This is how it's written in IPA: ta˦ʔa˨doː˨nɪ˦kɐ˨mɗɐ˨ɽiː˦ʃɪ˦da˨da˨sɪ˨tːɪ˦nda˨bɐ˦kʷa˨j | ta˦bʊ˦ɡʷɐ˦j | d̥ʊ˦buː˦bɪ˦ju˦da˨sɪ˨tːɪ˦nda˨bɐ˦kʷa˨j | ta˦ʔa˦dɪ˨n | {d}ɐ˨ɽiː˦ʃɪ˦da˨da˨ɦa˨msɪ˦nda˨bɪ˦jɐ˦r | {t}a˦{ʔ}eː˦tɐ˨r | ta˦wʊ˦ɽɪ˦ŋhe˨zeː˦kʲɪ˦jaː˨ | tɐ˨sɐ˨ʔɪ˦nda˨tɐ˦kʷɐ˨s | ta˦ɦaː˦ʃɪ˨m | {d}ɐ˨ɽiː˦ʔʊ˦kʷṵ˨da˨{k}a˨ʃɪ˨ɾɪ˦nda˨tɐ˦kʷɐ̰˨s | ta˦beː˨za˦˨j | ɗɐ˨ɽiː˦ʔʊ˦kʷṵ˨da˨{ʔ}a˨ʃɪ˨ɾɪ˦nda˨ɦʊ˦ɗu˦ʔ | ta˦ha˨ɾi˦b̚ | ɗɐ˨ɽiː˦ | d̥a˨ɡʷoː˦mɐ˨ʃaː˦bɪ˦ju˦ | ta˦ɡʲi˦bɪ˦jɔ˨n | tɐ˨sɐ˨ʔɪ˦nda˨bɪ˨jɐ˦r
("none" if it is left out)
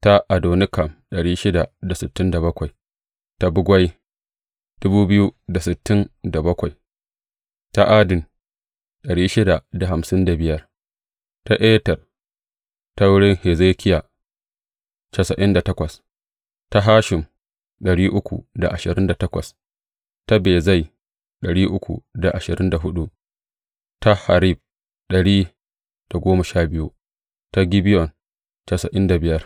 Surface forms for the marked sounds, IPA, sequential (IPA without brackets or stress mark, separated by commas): ɗ, t, ʔ, ɗ, ʔ, ʔ